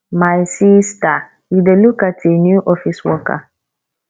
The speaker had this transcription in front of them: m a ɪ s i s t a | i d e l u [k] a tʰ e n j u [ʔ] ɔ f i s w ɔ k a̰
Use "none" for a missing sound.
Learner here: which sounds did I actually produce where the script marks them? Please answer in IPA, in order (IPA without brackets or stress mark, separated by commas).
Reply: k, ʔ